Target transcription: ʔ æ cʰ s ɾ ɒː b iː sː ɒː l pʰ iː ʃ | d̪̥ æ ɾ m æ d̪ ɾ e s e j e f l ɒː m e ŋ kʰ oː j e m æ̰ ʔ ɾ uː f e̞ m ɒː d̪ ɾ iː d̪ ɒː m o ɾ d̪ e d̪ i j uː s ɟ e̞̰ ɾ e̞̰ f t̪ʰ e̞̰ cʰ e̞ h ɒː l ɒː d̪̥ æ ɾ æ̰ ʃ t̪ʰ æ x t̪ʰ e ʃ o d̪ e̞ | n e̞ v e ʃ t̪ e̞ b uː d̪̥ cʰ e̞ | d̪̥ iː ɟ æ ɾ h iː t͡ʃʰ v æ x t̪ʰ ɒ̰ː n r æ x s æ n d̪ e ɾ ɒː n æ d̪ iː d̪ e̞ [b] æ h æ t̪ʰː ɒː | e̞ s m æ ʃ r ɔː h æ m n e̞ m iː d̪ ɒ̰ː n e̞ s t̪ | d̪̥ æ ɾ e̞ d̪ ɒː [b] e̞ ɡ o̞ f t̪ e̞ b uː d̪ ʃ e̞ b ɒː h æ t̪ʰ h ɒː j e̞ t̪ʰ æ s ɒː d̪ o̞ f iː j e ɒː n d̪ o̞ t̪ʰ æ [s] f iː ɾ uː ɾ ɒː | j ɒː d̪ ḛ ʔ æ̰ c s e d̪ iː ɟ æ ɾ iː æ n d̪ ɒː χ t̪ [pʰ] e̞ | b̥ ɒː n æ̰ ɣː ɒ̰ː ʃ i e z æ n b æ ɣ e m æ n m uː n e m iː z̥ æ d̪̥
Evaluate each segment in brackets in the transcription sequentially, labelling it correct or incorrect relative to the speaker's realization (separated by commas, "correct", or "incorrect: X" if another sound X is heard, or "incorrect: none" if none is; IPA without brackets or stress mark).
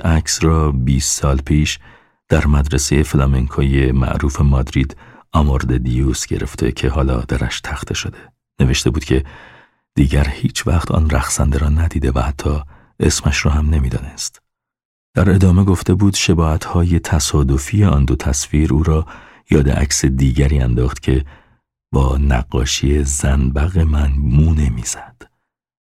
incorrect: v, incorrect: m, correct, incorrect: cʰ